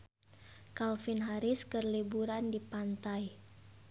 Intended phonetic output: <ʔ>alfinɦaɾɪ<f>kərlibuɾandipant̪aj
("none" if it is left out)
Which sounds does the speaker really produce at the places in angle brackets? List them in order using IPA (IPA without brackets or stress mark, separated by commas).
k, s